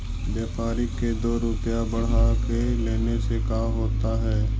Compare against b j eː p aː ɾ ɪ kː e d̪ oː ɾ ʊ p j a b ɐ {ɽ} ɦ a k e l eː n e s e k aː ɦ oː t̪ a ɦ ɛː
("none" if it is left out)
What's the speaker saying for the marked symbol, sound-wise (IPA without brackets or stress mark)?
ɽ